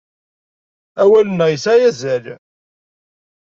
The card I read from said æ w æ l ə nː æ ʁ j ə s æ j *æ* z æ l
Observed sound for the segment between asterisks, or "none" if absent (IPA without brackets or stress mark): æ